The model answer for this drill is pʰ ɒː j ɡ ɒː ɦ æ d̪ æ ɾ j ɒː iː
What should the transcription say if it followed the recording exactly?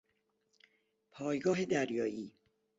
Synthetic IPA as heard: pʰ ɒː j ɡ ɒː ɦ e d̪ æ ɾ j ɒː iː